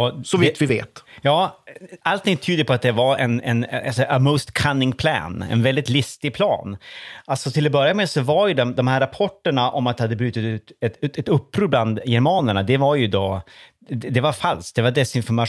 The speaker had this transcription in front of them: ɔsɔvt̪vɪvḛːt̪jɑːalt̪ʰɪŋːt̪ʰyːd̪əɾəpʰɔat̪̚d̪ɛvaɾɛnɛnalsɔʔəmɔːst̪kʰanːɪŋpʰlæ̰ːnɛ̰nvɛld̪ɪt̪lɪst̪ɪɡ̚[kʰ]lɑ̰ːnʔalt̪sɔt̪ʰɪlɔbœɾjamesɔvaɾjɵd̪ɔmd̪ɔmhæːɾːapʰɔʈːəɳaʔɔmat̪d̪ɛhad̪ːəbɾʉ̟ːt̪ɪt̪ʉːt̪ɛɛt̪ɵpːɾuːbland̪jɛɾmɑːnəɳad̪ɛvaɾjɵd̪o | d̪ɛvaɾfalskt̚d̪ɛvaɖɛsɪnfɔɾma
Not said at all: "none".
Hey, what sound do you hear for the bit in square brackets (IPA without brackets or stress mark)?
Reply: pʰ